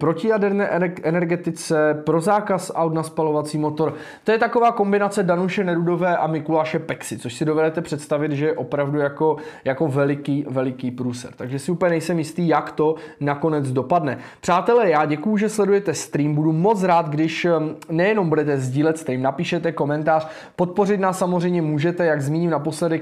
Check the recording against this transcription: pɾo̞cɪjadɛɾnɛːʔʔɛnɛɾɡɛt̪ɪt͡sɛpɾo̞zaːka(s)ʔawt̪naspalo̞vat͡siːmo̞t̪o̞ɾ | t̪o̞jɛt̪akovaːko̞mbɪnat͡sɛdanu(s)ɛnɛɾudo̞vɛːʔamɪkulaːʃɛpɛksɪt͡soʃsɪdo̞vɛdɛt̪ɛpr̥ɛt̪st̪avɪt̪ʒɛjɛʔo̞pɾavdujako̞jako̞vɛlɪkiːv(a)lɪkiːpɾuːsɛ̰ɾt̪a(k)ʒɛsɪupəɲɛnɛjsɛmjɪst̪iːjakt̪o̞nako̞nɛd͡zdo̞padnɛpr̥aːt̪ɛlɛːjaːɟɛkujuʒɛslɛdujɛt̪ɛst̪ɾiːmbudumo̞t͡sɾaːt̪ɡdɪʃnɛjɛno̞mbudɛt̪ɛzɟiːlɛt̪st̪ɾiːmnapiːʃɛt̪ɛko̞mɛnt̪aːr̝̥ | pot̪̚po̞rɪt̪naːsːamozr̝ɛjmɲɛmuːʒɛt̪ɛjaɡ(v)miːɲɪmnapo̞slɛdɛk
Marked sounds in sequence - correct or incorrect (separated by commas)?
correct, incorrect, incorrect, incorrect, incorrect